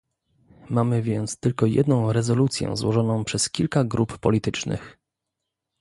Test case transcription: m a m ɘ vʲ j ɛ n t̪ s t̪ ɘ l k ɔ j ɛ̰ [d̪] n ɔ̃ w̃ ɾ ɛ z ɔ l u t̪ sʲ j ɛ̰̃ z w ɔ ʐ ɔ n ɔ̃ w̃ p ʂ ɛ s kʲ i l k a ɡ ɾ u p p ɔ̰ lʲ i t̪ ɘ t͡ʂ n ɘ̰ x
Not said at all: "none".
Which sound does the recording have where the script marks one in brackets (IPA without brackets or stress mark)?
d̪